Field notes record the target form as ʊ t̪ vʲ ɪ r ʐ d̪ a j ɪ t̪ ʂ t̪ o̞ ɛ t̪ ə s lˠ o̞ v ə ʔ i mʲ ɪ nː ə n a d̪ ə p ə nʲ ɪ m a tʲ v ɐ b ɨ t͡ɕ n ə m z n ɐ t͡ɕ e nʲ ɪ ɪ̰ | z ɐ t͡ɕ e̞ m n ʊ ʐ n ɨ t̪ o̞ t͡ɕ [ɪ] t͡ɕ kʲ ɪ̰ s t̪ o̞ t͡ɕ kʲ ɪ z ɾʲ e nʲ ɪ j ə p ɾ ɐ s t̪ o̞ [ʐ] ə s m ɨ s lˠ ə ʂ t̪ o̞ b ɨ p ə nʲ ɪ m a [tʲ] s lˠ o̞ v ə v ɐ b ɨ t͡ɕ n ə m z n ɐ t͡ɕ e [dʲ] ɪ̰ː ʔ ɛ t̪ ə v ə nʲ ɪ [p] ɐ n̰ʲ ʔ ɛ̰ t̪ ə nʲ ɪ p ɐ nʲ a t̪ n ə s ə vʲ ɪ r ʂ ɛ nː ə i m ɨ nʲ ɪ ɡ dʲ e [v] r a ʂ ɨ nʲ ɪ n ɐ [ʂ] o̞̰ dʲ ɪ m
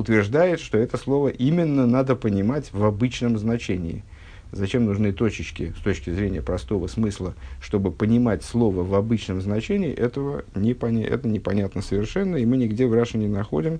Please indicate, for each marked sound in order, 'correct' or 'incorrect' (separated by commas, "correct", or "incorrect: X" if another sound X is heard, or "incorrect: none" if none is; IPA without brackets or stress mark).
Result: correct, incorrect: v, correct, incorrect: nʲ, correct, correct, incorrect: x